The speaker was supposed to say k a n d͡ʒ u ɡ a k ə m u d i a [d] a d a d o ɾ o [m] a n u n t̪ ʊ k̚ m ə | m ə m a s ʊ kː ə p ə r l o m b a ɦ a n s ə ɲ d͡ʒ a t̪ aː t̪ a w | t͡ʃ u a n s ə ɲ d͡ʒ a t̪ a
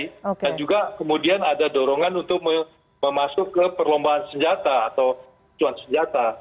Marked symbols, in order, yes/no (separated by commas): no, no